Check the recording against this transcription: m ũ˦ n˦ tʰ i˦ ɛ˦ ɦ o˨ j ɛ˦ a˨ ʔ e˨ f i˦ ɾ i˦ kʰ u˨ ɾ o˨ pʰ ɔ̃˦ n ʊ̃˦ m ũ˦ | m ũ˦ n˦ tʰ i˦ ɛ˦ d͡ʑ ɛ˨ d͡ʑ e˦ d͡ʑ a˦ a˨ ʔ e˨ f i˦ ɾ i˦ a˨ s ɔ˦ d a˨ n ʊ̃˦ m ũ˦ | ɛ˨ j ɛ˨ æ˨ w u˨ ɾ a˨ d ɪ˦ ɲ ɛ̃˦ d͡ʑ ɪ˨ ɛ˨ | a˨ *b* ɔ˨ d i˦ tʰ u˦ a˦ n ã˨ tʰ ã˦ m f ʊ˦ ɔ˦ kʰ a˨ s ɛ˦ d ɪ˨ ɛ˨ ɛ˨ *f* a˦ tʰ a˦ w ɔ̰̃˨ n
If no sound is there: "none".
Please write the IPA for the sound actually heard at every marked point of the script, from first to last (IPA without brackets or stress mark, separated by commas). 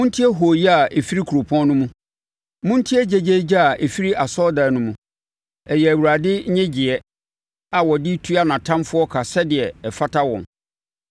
w, f